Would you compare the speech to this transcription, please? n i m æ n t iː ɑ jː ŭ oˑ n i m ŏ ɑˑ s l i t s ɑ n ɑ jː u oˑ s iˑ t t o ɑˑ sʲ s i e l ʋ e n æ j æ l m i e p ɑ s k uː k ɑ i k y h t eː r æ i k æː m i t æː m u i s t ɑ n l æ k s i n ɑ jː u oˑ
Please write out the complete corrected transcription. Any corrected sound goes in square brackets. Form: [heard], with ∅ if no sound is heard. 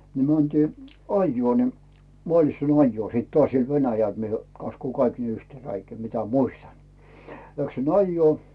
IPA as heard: n i m æ n t iː ɑ jː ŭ oˑ n i m ŏ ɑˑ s l i t s ɑ n ɑ jː u oˑ s iˑ t t o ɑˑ sʲ s i e l ʋ e n æ j æ l m i e [k] ɑ s k uː k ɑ i k y h t eː r æ i k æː m i t [æ] m u i s t ɑ n l æ k s i n ɑ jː u oˑ